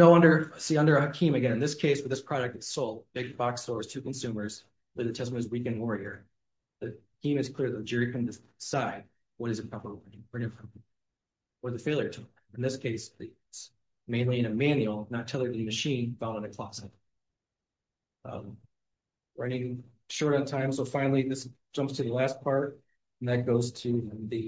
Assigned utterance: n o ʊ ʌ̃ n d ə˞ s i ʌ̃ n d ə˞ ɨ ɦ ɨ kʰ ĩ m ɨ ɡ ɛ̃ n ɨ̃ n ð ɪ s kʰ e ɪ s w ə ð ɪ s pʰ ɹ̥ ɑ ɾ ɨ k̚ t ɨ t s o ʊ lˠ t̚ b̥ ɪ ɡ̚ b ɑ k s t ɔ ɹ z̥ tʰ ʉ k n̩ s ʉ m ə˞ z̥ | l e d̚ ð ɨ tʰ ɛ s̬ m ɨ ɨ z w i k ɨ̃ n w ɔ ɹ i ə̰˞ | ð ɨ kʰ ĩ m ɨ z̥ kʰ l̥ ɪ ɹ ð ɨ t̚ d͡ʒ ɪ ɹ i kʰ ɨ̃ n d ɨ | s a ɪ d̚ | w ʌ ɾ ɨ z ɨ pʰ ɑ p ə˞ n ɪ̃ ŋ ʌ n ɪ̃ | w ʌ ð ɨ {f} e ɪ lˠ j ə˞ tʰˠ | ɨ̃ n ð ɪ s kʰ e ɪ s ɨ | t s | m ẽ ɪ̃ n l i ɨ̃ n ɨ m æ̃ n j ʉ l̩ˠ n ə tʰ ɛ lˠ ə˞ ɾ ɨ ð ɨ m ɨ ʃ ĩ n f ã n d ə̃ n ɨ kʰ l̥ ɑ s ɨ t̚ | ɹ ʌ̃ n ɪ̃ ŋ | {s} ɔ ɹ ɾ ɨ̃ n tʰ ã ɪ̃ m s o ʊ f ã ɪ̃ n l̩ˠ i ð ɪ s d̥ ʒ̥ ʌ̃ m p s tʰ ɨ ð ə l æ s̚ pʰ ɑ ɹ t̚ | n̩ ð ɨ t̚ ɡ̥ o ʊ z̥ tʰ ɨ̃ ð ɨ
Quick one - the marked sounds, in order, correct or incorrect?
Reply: correct, incorrect

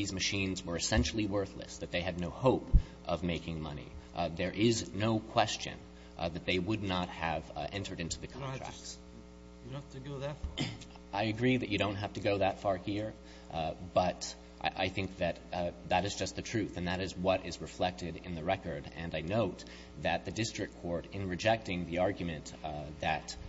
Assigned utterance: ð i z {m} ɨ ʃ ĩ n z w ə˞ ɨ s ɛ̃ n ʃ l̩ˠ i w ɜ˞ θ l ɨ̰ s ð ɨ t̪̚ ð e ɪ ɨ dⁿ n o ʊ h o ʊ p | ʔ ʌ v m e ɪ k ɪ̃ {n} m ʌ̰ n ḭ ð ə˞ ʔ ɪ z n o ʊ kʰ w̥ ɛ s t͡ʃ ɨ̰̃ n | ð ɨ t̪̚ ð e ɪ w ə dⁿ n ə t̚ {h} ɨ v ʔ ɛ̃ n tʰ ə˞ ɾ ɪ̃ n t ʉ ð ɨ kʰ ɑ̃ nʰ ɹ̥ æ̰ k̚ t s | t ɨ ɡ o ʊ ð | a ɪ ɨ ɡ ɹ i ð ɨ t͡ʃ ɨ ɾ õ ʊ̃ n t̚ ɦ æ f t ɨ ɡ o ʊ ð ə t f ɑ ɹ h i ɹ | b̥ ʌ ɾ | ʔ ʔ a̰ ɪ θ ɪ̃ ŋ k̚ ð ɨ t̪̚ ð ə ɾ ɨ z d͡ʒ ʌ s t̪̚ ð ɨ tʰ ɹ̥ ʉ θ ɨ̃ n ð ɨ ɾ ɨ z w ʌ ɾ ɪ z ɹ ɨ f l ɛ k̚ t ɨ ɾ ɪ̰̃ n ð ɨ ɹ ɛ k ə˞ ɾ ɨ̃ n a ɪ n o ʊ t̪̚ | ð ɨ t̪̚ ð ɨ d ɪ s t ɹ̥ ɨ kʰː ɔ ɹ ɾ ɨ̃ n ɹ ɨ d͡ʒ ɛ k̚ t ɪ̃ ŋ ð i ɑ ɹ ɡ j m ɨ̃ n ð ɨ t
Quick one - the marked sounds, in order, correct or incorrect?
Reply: correct, incorrect, correct

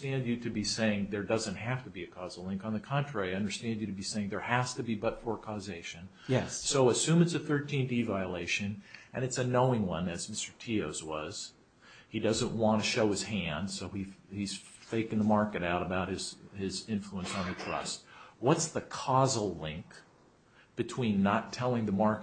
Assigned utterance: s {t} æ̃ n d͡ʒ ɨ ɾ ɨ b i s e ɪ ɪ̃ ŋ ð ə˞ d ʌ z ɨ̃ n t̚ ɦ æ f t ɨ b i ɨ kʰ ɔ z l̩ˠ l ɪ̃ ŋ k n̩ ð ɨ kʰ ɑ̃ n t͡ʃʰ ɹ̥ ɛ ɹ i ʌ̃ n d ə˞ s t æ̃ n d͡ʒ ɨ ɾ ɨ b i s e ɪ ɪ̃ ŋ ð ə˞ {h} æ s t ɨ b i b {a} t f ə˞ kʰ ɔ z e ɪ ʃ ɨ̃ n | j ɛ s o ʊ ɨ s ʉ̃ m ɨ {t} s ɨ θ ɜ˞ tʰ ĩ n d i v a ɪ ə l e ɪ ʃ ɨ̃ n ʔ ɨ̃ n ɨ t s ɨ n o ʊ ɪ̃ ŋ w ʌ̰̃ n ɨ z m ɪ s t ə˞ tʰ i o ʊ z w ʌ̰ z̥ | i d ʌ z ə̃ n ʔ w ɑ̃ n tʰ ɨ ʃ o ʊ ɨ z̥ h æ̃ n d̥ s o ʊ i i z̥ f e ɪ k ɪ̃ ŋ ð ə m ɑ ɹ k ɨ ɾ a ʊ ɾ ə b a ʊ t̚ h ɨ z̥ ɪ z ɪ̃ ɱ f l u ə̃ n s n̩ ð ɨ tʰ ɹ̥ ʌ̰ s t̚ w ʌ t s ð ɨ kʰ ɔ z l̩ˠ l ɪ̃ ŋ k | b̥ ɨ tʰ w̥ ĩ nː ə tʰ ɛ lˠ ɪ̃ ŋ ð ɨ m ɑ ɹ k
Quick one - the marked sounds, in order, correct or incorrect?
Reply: correct, correct, incorrect, correct

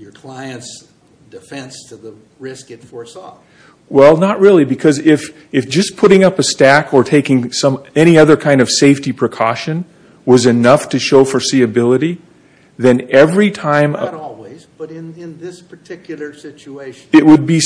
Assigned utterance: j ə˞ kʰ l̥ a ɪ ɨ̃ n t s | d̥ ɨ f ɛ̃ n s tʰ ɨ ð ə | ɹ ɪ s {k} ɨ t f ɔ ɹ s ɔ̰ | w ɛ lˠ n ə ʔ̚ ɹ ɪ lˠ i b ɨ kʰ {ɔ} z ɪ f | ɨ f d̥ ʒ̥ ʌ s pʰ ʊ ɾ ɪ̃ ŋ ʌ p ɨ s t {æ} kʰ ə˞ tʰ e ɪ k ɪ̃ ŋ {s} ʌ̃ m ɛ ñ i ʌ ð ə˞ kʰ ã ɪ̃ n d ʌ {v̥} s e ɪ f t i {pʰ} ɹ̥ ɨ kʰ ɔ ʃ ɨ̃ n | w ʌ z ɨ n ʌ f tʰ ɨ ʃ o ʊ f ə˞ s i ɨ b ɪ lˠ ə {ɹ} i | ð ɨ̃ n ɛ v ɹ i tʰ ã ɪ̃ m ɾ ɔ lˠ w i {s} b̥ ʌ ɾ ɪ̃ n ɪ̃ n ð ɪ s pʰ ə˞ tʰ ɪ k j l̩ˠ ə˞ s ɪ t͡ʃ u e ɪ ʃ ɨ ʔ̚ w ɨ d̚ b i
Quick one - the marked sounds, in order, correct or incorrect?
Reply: correct, incorrect, correct, correct, correct, correct, incorrect, incorrect

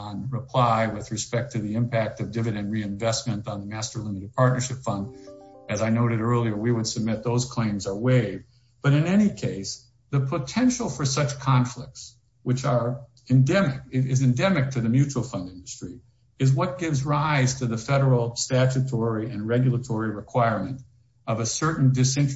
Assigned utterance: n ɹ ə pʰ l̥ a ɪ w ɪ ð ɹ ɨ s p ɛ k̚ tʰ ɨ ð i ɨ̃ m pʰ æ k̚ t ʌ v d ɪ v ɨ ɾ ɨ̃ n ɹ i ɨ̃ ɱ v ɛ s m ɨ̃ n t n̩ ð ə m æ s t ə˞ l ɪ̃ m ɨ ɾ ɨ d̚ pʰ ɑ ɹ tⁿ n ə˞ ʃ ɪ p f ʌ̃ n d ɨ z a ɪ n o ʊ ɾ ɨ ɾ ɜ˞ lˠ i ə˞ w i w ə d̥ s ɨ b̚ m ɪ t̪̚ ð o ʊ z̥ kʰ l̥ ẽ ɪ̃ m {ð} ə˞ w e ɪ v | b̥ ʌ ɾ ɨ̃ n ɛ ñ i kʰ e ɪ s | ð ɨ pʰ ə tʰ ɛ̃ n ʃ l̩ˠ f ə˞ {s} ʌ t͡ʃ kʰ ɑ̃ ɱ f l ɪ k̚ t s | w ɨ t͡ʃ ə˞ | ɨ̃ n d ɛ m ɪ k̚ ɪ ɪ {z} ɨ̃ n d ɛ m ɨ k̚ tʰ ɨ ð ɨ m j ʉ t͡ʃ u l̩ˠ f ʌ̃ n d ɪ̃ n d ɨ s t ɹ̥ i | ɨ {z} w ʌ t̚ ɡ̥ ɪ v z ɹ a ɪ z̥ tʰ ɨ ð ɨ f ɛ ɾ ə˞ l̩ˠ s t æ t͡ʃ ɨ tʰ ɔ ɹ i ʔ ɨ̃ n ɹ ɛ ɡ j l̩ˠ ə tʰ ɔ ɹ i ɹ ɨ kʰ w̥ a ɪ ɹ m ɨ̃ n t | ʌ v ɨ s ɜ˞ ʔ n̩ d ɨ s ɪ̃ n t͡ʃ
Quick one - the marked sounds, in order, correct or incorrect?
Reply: incorrect, correct, correct, correct

